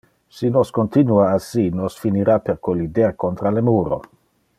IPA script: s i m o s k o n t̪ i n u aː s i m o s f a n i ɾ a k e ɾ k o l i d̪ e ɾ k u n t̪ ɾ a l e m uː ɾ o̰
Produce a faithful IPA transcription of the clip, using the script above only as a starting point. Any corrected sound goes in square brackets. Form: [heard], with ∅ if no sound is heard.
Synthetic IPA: s i [n] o s k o n t̪ i n u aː s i [n] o s f [i] n i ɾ a [p] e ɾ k o l i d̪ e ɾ k [o] n t̪ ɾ a l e m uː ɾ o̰